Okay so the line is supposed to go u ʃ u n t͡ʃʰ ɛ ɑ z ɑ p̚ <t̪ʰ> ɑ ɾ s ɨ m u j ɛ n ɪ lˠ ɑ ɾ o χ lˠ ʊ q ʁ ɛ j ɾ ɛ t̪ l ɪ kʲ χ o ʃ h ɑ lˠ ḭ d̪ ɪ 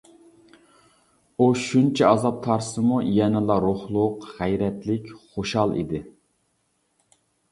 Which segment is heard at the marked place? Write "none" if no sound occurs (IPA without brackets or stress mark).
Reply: t̪ʰ